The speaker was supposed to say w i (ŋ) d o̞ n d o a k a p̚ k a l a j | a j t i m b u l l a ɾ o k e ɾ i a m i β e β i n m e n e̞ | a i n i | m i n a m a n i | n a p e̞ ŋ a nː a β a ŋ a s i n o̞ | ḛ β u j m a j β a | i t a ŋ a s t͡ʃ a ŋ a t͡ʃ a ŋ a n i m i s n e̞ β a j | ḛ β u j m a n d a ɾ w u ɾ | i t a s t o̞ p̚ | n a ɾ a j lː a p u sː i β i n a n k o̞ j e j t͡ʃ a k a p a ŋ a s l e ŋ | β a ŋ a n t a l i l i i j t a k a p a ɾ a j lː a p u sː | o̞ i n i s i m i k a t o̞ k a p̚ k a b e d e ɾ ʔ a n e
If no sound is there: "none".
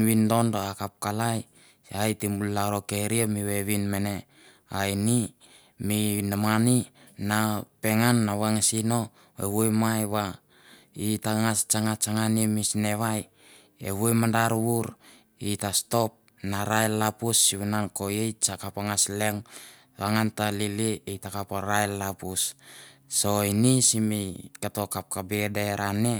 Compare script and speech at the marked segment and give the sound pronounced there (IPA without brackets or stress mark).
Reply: n